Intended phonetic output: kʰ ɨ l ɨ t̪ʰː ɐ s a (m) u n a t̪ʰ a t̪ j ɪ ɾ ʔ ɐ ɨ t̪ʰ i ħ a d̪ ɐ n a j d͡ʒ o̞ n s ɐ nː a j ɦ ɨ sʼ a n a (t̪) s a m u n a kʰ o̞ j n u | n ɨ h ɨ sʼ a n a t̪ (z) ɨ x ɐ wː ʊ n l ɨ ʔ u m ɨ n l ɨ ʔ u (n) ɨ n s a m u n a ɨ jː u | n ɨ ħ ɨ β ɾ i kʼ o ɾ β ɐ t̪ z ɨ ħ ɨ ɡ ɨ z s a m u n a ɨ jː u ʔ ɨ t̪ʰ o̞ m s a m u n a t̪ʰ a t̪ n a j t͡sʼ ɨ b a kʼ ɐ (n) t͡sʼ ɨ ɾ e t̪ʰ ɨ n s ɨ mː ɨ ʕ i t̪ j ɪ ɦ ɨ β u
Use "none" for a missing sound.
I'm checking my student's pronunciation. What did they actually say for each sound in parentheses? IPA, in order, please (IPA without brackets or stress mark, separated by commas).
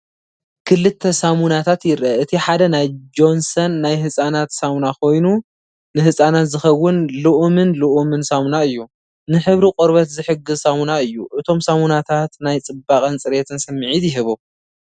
m, t̪, z, m, n